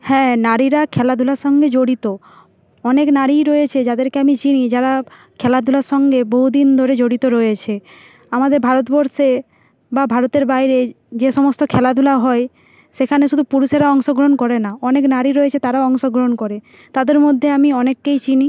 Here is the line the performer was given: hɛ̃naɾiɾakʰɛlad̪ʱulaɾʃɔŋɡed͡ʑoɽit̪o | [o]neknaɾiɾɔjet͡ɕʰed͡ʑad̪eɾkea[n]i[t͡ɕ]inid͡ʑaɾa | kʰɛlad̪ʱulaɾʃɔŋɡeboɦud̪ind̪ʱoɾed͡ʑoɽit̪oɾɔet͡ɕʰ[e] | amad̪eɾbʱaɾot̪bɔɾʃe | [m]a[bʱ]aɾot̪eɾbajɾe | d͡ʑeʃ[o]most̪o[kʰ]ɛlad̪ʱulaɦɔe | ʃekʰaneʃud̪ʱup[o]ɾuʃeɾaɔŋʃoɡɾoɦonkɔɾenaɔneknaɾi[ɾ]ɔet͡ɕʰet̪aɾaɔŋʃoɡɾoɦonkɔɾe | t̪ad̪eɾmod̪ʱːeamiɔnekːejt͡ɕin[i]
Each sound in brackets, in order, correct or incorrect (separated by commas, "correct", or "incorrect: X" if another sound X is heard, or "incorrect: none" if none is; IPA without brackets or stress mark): incorrect: ɔ, incorrect: m, correct, correct, incorrect: b, correct, incorrect: ɔ, correct, incorrect: u, correct, correct